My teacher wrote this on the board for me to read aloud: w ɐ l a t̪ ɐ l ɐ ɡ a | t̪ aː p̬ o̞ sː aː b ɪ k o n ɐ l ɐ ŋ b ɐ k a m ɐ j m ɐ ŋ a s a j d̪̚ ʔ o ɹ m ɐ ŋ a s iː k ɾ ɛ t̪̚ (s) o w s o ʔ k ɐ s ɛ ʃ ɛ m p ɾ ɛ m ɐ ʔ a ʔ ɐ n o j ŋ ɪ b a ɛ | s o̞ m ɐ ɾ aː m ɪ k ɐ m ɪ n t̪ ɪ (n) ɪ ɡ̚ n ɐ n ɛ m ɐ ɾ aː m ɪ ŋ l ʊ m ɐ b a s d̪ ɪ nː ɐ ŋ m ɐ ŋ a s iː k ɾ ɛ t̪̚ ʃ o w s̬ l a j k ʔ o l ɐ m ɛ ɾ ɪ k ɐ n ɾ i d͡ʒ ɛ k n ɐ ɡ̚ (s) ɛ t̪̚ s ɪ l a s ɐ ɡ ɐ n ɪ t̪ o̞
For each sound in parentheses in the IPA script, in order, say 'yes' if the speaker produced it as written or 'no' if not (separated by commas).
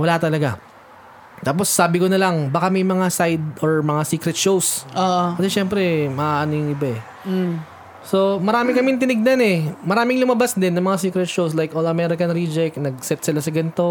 no, yes, yes